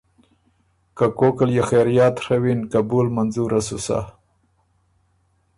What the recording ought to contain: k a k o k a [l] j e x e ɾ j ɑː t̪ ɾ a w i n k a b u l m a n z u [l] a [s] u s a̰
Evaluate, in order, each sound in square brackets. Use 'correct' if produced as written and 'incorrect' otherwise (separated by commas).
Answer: correct, incorrect, correct